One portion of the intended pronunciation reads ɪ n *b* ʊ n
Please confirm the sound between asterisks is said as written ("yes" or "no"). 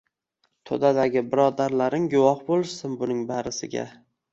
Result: yes